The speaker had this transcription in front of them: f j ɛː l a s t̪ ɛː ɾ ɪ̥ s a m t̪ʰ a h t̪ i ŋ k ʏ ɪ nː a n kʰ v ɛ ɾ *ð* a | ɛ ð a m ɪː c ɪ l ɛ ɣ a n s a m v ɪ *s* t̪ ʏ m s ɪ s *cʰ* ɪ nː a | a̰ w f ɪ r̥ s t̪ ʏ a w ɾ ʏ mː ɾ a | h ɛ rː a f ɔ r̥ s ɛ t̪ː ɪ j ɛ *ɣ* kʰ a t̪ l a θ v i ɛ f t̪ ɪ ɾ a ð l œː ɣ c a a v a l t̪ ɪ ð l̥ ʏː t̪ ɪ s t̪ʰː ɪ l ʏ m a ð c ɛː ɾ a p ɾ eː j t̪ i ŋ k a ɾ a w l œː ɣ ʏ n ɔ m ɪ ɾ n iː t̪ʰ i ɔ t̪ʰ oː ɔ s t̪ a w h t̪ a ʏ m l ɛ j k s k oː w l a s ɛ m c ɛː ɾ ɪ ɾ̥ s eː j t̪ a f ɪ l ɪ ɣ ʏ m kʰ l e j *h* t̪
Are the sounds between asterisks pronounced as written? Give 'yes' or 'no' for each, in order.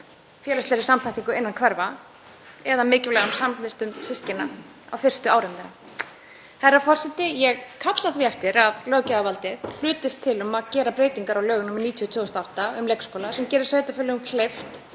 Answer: no, yes, no, yes, no

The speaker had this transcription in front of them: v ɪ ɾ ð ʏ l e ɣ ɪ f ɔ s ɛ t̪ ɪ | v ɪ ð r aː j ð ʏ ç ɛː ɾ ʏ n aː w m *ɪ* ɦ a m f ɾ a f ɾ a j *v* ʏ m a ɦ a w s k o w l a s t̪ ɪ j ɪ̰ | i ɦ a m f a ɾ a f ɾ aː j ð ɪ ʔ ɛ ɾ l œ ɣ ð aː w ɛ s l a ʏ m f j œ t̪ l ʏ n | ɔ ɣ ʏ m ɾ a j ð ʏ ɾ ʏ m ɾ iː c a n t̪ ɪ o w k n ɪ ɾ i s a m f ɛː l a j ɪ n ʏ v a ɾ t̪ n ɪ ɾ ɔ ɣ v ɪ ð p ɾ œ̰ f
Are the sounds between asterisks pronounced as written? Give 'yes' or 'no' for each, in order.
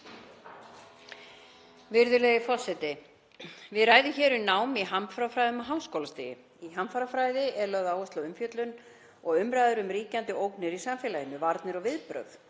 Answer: no, no

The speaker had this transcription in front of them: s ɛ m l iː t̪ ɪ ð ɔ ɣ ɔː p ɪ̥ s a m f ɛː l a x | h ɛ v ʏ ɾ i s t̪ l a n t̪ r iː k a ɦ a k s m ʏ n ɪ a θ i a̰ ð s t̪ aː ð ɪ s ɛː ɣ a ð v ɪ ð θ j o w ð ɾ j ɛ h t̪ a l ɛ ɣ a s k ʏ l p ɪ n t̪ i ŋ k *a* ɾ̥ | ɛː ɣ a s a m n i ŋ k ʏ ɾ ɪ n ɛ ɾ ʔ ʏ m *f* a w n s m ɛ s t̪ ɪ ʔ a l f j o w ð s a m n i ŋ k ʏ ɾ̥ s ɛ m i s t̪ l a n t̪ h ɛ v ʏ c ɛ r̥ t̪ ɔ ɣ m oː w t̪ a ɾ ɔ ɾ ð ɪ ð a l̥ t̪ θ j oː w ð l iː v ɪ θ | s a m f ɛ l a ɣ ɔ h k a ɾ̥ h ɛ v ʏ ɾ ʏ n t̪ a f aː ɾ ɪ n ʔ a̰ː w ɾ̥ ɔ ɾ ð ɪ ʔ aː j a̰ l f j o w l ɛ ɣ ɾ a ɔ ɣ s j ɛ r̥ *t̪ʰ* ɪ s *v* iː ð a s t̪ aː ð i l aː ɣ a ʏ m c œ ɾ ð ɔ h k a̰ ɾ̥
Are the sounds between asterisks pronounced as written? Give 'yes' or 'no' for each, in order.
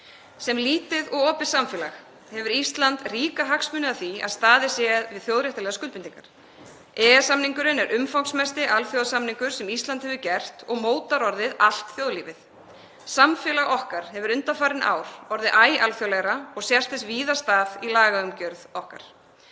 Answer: yes, yes, no, yes

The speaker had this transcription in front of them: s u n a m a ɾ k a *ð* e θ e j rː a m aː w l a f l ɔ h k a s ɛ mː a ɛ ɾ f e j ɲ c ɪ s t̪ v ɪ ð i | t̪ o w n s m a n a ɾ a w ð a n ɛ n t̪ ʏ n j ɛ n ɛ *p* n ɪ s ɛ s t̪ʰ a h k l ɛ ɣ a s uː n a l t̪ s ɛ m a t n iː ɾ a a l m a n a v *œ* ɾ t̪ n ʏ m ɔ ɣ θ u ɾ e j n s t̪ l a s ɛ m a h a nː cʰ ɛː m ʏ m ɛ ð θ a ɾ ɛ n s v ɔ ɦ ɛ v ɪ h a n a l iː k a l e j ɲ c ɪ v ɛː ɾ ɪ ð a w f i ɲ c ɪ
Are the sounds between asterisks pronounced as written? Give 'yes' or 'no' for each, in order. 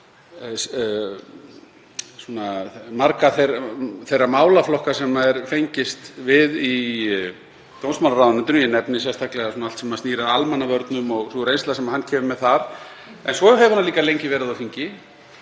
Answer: no, yes, yes

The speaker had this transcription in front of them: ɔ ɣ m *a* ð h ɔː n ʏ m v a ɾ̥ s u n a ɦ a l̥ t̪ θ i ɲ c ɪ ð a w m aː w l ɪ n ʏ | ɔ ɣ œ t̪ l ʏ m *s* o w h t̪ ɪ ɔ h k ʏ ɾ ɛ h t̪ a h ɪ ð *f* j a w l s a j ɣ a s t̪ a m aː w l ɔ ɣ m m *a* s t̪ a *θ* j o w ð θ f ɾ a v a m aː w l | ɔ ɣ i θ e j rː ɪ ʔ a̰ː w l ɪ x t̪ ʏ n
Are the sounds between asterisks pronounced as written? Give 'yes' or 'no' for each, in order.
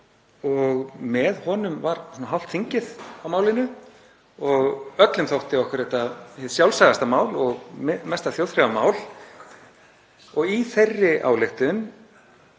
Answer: no, no, no, no, yes

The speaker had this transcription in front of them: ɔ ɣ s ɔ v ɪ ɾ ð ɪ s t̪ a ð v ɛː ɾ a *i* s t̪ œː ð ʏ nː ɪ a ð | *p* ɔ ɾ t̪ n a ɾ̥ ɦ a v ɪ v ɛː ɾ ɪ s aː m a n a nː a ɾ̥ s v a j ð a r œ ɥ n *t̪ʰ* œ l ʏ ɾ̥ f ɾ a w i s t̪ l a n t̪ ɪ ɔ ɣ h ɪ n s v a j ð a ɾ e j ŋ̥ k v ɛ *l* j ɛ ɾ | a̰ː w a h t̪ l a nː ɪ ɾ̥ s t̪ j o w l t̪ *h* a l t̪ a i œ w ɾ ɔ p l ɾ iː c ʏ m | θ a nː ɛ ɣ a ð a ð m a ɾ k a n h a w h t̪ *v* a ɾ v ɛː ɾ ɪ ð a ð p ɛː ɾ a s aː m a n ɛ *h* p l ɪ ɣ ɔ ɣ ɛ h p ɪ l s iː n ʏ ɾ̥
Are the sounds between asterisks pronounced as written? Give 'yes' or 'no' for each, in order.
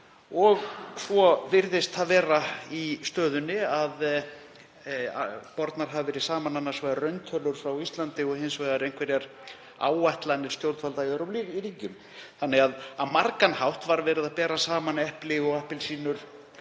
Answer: yes, yes, yes, no, no, yes, yes

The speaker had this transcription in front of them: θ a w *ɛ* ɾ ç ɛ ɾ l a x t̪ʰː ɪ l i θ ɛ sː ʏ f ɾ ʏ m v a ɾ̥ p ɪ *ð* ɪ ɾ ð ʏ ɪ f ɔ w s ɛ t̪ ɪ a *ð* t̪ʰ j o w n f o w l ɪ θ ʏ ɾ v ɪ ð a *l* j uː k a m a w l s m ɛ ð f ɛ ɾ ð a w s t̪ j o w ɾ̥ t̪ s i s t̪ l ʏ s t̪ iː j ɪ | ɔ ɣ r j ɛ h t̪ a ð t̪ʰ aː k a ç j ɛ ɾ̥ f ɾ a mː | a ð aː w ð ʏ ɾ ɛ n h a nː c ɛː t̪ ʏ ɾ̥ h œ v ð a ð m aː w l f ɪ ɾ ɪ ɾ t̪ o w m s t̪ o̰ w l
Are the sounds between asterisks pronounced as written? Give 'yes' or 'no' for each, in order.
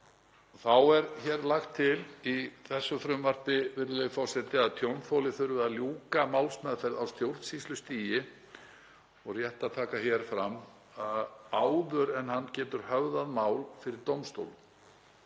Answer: yes, no, yes, yes

